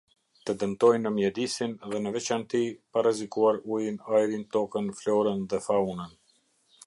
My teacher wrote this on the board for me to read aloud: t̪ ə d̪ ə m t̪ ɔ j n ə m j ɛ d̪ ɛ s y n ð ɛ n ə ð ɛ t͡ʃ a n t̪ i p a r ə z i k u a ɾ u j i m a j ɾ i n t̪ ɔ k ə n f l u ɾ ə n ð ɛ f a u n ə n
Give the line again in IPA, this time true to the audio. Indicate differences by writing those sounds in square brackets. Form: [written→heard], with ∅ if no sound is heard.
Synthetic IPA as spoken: t̪ ə d̪ ə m t̪ ɔ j n ə m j ɛ d̪ [ɛ→i] s [y→i] n ð ɛ n ə [ð→v] ɛ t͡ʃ a n t̪ i p a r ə z i k u a ɾ u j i [m→n] a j ɾ i n t̪ ɔ k ə n f l [u→ɔ] ɾ ə n ð ɛ f a u n ə n

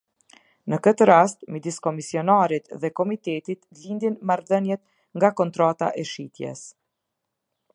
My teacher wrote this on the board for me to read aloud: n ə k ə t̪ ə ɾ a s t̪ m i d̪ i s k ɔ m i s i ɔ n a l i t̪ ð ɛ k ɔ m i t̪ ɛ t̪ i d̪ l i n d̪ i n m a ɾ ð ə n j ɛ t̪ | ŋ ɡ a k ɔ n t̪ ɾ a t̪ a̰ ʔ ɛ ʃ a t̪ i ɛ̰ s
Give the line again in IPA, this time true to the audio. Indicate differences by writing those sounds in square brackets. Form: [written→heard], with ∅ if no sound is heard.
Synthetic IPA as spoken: n ə k ə t̪ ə ɾ a s t̪ m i d̪ i s k ɔ m i s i ɔ n a [l→ɾ] i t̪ ð ɛ k ɔ m i t̪ ɛ t̪ i [d̪→t̪] l i n d̪ i n m a ɾ ð ə n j ɛ t̪ | ŋ ɡ a k ɔ n t̪ ɾ a t̪ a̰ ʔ ɛ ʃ [a→i] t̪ [i→j] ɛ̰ s

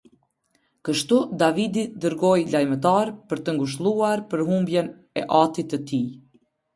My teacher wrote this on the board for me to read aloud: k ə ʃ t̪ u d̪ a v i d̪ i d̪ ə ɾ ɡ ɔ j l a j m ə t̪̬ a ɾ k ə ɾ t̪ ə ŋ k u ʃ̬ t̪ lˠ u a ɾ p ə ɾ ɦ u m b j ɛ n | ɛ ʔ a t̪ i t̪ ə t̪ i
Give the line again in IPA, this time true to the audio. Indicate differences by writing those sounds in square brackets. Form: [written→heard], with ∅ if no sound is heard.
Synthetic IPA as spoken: k ə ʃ t̪ u d̪ a v i d̪ i d̪ ə ɾ ɡ ɔ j l a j m ə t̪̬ a ɾ [k→p] ə ɾ t̪ ə ŋ [k→ɡ] u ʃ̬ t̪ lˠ u a ɾ p ə ɾ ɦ u m b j ɛ n | ɛ ʔ a t̪ i t̪ ə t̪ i

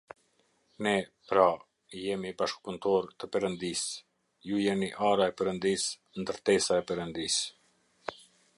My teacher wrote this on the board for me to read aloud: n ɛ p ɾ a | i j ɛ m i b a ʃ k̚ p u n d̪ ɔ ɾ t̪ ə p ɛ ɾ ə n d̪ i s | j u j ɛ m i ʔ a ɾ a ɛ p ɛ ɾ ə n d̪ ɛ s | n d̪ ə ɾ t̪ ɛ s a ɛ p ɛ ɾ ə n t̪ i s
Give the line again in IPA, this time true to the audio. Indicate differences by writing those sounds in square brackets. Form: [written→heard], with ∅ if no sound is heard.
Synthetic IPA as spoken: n ɛ p ɾ a | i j ɛ m i b a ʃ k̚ p u n [d̪→t̪] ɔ ɾ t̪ ə p ɛ ɾ ə n d̪ i s | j u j ɛ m i ʔ a ɾ a ɛ p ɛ ɾ ə n d̪ [ɛ→i] s | n d̪ ə ɾ t̪ ɛ s a ɛ p ɛ ɾ ə n [t̪→d̪] i s

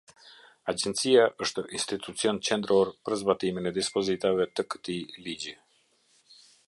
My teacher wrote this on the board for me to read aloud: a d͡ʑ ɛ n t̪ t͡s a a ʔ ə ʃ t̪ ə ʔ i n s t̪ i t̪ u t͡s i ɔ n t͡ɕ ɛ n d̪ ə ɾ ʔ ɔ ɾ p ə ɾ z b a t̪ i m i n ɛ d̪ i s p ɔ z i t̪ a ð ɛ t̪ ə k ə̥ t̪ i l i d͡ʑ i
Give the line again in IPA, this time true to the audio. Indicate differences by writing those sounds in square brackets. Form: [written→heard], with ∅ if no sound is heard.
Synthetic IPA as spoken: a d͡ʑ ɛ n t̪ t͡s [a→i] a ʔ ə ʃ t̪ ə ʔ i n s t̪ i t̪ u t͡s i ɔ n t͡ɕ ɛ n d̪ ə ɾ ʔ ɔ ɾ p ə ɾ z b a t̪ i m i n ɛ d̪ i s p ɔ z i t̪ a [ð→v] ɛ t̪ ə k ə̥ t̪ i l i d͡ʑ i

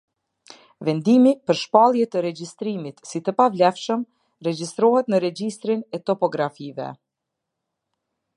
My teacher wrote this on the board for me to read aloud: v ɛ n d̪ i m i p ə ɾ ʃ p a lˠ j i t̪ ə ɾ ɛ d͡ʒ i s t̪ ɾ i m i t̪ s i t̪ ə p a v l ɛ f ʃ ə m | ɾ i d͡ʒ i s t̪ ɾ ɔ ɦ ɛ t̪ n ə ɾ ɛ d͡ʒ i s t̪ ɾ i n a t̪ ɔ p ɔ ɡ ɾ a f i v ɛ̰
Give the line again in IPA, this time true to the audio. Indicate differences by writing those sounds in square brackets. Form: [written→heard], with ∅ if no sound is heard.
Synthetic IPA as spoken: v ɛ n d̪ i m i p ə ɾ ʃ p a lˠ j [i→ɛ] t̪ ə ɾ ɛ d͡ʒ i s t̪ ɾ i m i t̪ s i t̪ ə p a v l ɛ f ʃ ə m | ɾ [i→ɛ] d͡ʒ i s t̪ ɾ ɔ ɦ ɛ t̪ n ə ɾ ɛ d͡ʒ i s t̪ ɾ i n [a→ɛ] t̪ ɔ p ɔ ɡ ɾ a f i v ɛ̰

